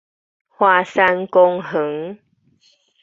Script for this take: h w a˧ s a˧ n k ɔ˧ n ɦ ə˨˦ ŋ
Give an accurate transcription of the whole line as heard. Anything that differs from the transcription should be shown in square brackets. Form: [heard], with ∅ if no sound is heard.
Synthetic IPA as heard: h w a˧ s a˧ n k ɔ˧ [ŋ] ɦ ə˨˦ ŋ